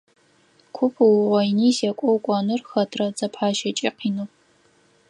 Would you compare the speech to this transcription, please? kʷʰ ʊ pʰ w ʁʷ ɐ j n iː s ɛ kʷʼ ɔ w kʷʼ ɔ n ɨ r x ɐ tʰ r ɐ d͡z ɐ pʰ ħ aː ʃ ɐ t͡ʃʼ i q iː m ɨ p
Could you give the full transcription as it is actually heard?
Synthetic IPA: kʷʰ ʊ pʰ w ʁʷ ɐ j n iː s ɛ kʷʼ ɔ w kʷʼ ɔ n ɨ r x ɐ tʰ r ɐ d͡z ɐ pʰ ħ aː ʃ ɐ t͡ʃʼ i q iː n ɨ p

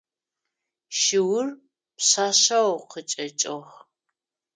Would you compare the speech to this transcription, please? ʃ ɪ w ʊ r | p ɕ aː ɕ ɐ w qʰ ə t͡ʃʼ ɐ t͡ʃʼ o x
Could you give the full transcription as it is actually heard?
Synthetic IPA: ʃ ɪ w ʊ r | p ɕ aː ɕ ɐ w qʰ ə t͡ʃʼ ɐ t͡ʃʼ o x

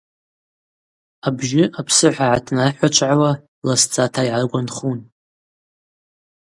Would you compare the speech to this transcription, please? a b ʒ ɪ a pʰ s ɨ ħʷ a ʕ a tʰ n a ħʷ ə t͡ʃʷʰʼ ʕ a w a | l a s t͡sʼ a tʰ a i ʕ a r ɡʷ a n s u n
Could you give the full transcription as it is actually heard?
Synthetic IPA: a b ʒ ɪ a pʰ s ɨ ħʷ a ʕ a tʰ n a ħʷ a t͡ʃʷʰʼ ʕ a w a | l a s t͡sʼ a tʰ a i ʕ a r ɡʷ a n χ u n

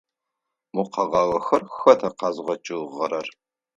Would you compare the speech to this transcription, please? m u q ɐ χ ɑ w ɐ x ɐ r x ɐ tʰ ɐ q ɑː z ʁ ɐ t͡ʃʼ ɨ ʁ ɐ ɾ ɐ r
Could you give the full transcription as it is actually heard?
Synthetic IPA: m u q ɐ ʁ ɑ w ɐ x ɐ r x ɐ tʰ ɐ q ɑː z ʁ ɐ t͡ʃʼ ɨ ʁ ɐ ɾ ɐ r

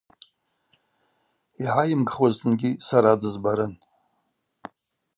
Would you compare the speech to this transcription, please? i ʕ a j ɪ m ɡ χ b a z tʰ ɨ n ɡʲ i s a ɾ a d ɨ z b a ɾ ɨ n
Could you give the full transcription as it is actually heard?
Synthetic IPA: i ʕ a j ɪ m ɡ χ w a z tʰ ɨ n ɡʲ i s a ɾ a d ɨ z b a ɾ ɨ n

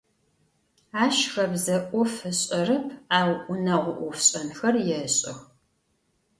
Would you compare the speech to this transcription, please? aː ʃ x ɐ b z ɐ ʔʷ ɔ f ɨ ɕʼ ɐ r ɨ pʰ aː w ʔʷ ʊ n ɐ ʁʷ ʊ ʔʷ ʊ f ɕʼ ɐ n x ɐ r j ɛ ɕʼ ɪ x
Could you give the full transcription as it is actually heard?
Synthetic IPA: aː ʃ x ɐ b z ɐ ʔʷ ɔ f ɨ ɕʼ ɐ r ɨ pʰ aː w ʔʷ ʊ n ɐ ʁʷ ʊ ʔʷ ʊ f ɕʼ ɐ n x ɐ r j ɛ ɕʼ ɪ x

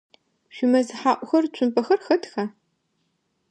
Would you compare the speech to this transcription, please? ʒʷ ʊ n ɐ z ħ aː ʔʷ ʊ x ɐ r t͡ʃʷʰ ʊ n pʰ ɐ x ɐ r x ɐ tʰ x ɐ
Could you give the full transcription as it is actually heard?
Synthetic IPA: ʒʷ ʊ m ɐ z ħ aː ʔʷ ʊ x ɐ r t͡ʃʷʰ ʊ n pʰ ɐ x ɐ r x ɐ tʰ x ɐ

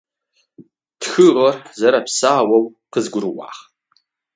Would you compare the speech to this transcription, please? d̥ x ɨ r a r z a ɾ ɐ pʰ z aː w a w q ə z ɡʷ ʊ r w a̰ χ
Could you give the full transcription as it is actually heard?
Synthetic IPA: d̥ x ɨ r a r z a ɾ a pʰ s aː w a w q ə z ɡʷ ʊ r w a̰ χ

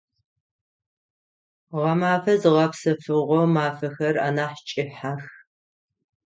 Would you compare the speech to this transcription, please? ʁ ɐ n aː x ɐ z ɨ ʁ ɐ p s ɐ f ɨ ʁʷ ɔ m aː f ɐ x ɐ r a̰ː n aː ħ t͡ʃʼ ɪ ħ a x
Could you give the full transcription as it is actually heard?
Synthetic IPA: ʁ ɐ m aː f ɐ z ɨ ʁ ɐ p s ɐ f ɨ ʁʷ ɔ m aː f ɐ x ɐ r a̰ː n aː ħ t͡ʃʼ ɪ ħ a x

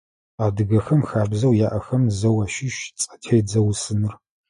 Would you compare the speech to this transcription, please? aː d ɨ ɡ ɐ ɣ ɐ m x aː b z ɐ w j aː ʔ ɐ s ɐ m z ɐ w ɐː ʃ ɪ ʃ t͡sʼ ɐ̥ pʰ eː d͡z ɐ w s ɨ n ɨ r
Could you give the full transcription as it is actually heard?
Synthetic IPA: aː d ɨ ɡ ɐ x ɐ m x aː b z ɐ w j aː ʔ ɐ x ɐ m z ɐ w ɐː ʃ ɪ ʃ t͡sʼ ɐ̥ tʰ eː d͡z ɐ w s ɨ n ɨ r

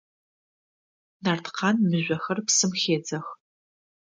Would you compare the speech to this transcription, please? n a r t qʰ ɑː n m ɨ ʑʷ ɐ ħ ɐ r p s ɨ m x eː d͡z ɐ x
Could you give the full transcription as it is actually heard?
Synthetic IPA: n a r t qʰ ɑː n m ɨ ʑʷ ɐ x ɐ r p s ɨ m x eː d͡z ɐ x

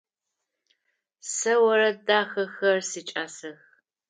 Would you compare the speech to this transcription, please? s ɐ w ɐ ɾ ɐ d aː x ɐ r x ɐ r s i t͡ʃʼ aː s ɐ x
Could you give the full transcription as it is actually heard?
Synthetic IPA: s ɐ w ɐ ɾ ɐ d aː x ɐ x ɐ r s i t͡ʃʼ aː s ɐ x

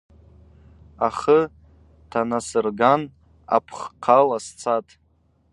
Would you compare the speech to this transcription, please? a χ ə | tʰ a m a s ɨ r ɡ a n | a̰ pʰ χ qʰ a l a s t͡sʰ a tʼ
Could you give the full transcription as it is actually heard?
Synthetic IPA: a χ ə | tʰ a n a s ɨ r ɡ a n | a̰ pʰ χ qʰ a l a s t͡sʰ a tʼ

